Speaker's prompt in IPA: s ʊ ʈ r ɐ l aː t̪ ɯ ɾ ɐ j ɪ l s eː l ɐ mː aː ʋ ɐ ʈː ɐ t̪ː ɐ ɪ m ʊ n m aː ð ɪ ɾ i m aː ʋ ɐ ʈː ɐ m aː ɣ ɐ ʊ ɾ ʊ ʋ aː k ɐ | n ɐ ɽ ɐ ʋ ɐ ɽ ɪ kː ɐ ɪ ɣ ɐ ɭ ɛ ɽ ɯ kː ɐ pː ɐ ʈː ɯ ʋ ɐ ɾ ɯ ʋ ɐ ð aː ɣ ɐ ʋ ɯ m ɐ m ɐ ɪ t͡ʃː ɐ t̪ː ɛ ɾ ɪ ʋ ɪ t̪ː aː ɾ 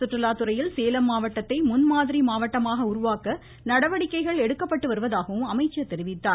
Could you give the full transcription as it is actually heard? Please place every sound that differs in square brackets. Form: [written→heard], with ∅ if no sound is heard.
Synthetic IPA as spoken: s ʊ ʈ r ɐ l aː t̪ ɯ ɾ ɐ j ɪ l s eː l ɐ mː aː ʋ ɐ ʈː ɐ t̪ː ɐ ɪ m ʊ n m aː ð ɪ ɾ i m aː ʋ ɐ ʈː ɐ m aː ɣ ɐ ʊ ɾ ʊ ʋ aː k ɐ | n ɐ ɽ ɐ ʋ ɐ ɽ ɪ kː ɐ ɪ ɣ ɐ ɭ ɛ ɽ ɯ kː ɐ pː ɐ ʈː ɯ ʋ ɐ ɾ ɯ ʋ ɐ ð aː ɣ ɐ ʋ ɯ m ɐ m ɐ ɪ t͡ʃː ɐ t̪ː ɛ ɾ ɪ ʋ ɪ t̪ː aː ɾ

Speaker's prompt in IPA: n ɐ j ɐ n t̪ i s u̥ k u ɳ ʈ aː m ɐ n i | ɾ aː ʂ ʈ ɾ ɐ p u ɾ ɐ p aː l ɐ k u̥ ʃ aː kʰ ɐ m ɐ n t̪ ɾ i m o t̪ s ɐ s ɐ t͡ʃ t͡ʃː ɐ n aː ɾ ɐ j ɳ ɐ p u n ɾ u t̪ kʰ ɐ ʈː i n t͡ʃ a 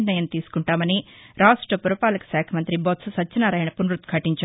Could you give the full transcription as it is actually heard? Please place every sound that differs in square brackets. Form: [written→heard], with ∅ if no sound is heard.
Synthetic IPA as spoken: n ɐ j ɐ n t̪ [i→iː] s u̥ k u ɳ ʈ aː m ɐ n i | ɾ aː ʂ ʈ ɾ ɐ p u ɾ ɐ p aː l ɐ k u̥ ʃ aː kʰ ɐ m ɐ n t̪ ɾ i [m→b] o t̪ s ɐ s ɐ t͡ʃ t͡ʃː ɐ n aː ɾ ɐ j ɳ ɐ p u n ɾ u t̪ kʰ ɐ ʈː i [n→ɲ] t͡ʃ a

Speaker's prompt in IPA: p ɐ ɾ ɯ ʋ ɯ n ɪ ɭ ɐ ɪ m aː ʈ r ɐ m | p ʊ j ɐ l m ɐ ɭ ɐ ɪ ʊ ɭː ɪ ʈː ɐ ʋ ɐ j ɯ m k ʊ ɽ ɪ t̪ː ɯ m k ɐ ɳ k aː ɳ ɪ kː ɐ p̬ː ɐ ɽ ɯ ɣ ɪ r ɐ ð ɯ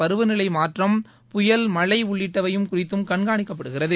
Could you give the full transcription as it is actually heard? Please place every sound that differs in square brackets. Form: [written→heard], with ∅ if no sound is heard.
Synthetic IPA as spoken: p ɐ ɾ ɯ ʋ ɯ n ɪ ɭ ɐ ɪ m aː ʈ r ɐ m | p ʊ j ɐ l m ɐ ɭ ɐ ɪ ʊ ɭː ɪ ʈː ɐ ʋ ɐ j ɯ m k ʊ [ɽ→r] ɪ t̪ː ɯ m k ɐ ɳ [k→ɡ] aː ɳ ɪ kː ɐ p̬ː ɐ ɽ ɯ ɣ ɪ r ɐ ð ɯ

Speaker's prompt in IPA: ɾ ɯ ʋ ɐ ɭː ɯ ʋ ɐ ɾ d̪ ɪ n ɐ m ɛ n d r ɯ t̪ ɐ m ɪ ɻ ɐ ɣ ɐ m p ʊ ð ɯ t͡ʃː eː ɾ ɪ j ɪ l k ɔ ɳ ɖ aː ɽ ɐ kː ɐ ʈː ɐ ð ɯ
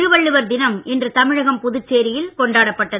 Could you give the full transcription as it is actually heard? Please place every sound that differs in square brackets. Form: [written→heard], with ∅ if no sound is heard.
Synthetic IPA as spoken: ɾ ɯ ʋ ɐ ɭː ɯ ʋ ɐ ɾ d̪ ɪ n ɐ m ɛ n d r ɯ t̪ ɐ m ɪ ɻ ɐ ɣ ɐ m p ʊ ð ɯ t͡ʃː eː ɾ ɪ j ɪ l k ɔ ɳ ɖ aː ɽ ɐ [kː→pː] ɐ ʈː ɐ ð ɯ

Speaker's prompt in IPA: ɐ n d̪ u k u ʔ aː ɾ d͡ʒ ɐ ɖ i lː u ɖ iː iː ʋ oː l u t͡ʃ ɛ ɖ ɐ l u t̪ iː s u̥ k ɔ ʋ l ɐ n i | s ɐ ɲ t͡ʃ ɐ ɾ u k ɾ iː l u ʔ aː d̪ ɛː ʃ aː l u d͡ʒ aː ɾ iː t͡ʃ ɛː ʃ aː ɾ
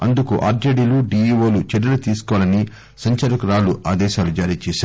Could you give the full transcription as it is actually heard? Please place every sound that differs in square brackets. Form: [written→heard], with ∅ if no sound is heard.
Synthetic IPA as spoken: ɐ n d̪ u k u ʔ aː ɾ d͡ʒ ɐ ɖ i [lː→l] u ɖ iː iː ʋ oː l u t͡ʃ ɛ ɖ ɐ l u t̪ iː s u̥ k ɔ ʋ l ɐ n i | s ɐ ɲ t͡ʃ ɐ ɾ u k ɾ [iː→aː] l u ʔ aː d̪ ɛː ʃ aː l u d͡ʒ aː ɾ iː t͡ʃ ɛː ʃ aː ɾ

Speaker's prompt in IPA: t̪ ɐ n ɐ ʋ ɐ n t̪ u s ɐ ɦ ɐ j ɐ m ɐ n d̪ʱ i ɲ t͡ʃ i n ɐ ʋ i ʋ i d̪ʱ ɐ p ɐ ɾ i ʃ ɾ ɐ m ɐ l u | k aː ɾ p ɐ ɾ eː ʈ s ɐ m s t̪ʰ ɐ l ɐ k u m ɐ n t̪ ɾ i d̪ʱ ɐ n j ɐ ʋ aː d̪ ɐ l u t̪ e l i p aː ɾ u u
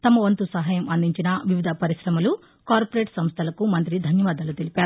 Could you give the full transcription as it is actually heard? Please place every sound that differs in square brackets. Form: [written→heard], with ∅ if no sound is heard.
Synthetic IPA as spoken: t̪ ɐ [n→m] ɐ ʋ ɐ n t̪ u s ɐ ɦ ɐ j ɐ m ɐ n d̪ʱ i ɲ t͡ʃ i n ɐ ʋ i ʋ i d̪ʱ ɐ p ɐ ɾ i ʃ ɾ ɐ m ɐ l u | k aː ɾ p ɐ ɾ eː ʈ s ɐ m s t̪ʰ ɐ l ɐ k u m ɐ n t̪ ɾ i d̪ʱ ɐ n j ɐ ʋ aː d̪ ɐ l u t̪ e l i p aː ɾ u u

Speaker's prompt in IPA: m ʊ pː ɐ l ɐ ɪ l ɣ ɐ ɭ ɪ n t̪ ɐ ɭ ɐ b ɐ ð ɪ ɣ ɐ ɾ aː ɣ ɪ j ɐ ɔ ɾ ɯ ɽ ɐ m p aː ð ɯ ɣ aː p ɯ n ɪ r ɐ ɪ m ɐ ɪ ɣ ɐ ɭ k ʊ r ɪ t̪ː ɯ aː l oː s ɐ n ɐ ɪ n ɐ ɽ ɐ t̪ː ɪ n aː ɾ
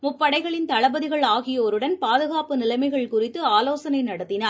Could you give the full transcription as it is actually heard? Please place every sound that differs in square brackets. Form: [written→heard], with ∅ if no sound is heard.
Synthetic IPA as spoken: m ʊ pː ɐ [l→ɽ] ɐ ɪ [l→∅] ɣ ɐ ɭ ɪ n t̪ ɐ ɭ ɐ b ɐ ð ɪ ɣ ɐ [ɾ→ɭ] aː ɣ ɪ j ɐ ɔ ɾ ɯ ɽ ɐ [m→n] p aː ð ɯ ɣ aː p ɯ n ɪ [r→l] ɐ ɪ m ɐ ɪ ɣ ɐ ɭ k ʊ r ɪ t̪ː ɯ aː l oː s ɐ n ɐ ɪ n ɐ ɽ ɐ t̪ː ɪ n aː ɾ

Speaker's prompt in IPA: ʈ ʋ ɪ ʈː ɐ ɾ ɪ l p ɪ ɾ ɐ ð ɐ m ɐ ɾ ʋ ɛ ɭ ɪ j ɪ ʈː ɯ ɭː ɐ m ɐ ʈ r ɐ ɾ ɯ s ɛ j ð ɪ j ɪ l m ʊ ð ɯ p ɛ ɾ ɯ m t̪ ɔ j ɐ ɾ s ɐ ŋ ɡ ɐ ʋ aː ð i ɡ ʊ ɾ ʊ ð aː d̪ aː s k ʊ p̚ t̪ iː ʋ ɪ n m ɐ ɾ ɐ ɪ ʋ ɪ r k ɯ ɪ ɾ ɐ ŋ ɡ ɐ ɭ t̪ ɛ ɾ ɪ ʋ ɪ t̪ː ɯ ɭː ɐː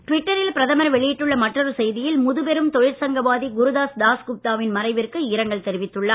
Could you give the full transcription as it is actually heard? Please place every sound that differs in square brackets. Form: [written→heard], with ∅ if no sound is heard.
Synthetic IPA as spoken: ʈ ʋ ɪ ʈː ɐ ɾ ɪ l p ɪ ɾ ɐ ð ɐ m ɐ ɾ ʋ ɛ ɭ ɪ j ɪ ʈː ɯ ɭː ɐ m ɐ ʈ r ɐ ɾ ɯ s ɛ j ð ɪ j ɪ l m ʊ ð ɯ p ɛ ɾ ɯ m t̪ ɔ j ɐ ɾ s ɐ ŋ ɡ ɐ ʋ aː ð i ɡ ʊ ɾ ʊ ð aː d̪ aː s k ʊ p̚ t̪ [iː→aː] ʋ ɪ n m ɐ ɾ ɐ ɪ ʋ ɪ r k ɯ ɪ ɾ ɐ ŋ ɡ ɐ ɭ t̪ ɛ ɾ ɪ ʋ ɪ t̪ː ɯ ɭː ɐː

